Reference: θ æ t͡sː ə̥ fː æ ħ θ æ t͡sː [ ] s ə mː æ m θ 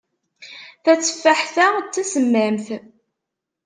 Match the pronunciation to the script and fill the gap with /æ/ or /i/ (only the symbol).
æ